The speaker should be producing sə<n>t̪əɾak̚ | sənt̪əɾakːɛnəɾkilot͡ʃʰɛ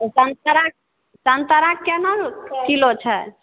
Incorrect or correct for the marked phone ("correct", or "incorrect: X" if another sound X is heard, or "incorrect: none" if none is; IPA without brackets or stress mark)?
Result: correct